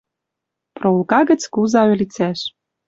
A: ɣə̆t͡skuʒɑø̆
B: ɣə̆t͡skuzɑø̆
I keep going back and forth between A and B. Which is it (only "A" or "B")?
B